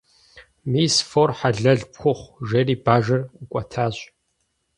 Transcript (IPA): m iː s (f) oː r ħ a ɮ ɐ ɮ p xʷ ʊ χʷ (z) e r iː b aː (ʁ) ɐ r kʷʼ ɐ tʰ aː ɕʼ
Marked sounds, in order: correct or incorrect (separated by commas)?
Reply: correct, incorrect, incorrect